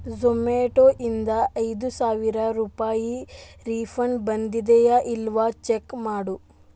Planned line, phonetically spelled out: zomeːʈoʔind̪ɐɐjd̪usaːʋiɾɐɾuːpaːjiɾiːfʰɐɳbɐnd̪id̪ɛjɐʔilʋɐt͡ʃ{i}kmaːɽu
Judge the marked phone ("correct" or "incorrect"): incorrect